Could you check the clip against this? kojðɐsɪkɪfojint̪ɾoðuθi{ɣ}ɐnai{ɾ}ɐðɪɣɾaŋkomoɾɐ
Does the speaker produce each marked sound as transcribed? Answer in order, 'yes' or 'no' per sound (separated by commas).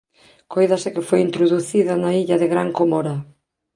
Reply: no, no